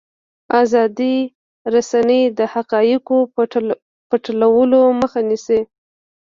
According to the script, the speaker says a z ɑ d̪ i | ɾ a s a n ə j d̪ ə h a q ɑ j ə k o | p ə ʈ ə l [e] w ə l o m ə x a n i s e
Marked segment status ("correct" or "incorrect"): incorrect